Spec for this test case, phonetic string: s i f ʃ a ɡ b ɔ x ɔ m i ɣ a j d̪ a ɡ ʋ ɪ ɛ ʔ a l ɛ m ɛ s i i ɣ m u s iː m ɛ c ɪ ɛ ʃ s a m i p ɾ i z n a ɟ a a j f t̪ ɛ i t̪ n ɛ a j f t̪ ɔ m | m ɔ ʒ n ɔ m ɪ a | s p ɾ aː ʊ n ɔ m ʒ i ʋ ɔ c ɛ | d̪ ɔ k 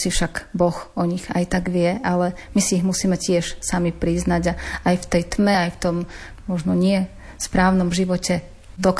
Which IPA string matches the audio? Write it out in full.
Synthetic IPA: s i f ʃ a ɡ b ɔ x ɔ ɲ i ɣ a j t̪ a ɡ ʋ ɪ ɛ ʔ a l ɛ m i s i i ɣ m u s iː m ɛ c ɪ ɛ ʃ s a m i p ɾ i z n a ɟ a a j f t̪ ɛ j t̪ m ɛ a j f t̪ ɔ m | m ɔ ʒ n ɔ ɲ ɪ ɛ | s p ɾ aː ʊ n ɔ m ʒ i ʋ ɔ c ɛ | d̪ ɔ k